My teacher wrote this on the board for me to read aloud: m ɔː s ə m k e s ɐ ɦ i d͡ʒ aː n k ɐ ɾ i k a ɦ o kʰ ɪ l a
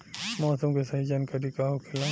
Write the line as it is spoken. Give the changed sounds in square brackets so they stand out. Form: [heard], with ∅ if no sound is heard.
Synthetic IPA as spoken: m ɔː s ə m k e s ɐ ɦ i d͡ʒ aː n k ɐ ɾ i k a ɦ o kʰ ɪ l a

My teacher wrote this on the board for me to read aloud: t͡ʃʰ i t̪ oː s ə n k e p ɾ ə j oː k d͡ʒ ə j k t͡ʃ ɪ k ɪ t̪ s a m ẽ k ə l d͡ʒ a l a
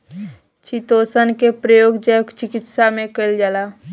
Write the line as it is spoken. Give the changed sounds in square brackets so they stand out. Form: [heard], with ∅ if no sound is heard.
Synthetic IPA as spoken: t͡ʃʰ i t̪ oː s ə n k e p ɾ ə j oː [ɡ] d͡ʒ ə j k t͡ʃ ɪ k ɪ t̪ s a m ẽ k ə l d͡ʒ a l a

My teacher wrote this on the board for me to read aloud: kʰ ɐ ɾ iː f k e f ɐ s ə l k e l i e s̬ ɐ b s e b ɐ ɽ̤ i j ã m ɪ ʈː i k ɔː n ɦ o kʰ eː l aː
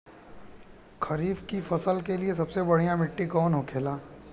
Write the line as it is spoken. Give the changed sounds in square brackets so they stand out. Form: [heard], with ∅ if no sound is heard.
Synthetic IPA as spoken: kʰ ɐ ɾ iː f k [i] f ɐ s ə l k e l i e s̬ ɐ b s e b ɐ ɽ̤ i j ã m ɪ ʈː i k ɔː n ɦ o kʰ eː l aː

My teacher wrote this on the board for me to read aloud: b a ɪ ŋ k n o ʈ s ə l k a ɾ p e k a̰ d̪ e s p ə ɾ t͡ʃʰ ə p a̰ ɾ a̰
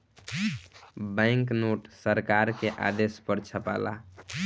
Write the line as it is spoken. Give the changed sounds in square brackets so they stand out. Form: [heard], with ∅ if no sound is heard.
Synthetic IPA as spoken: b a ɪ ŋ k n o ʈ s ə [ɾ] k a ɾ [k] e [ʔ] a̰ d̪ e s p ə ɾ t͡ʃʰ ə p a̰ [l] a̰

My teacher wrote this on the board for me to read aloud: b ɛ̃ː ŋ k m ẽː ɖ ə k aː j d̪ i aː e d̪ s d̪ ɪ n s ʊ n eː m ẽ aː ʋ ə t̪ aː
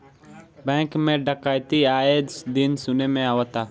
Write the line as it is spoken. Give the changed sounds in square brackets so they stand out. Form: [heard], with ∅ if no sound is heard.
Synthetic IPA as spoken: b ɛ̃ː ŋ k m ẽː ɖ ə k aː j [t̪] i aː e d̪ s d̪ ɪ n s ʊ n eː m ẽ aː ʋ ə t̪ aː

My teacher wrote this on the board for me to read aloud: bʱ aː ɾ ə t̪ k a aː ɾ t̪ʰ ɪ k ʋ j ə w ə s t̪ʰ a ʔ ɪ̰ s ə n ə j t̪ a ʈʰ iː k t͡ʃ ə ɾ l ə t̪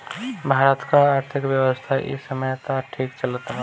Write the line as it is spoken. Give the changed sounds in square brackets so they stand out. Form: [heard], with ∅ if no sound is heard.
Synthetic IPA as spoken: bʱ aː ɾ ə t̪ k a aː ɾ t̪ʰ ɪ k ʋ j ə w ə s t̪ʰ a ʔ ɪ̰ s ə [m] ə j t̪ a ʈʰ iː k t͡ʃ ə [∅] l ə t̪

